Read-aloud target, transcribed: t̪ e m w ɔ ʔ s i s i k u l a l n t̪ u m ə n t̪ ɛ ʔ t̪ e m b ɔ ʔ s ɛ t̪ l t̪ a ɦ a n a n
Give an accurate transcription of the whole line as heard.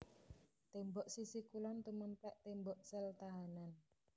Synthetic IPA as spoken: t̪ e m b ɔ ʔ s i s i k u l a n t̪ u m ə n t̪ ɛ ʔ t̪ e m b ɔ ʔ s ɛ l t̪ a ɦ a n a n